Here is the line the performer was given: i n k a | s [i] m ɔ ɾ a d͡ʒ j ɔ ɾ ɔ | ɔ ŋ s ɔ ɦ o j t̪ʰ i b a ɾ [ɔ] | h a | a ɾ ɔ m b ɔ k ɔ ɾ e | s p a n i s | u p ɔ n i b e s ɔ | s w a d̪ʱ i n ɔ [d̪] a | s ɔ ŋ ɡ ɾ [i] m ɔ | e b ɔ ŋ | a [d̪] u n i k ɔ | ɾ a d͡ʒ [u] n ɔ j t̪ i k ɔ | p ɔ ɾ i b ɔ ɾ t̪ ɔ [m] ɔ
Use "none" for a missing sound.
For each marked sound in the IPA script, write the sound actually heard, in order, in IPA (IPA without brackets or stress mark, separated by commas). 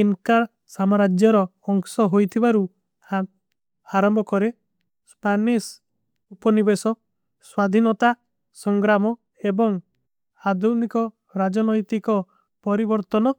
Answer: a, u, t̪, a, d̪, ɔ, n